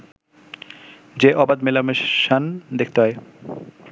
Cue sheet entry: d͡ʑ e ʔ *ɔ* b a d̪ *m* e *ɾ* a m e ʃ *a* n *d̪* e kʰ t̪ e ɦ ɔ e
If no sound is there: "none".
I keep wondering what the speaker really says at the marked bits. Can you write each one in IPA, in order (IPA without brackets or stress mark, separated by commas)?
ɔ, m, l, a, d̪